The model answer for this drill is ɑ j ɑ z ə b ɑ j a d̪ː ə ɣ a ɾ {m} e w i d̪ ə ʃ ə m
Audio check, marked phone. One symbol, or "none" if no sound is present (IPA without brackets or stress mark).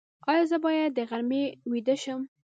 m